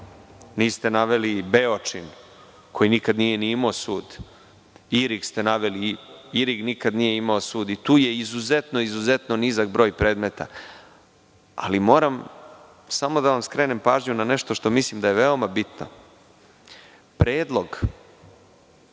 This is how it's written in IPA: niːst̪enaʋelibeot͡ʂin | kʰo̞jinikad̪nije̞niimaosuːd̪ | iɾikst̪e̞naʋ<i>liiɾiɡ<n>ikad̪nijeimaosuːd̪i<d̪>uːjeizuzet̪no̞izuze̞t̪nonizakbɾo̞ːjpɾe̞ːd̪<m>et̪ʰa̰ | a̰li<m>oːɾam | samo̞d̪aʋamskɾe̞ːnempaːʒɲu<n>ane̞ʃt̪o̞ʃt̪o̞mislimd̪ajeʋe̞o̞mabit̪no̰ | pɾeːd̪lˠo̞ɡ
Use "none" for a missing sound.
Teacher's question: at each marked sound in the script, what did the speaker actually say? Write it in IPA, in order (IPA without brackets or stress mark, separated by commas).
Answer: e, n, t̪, m, m, n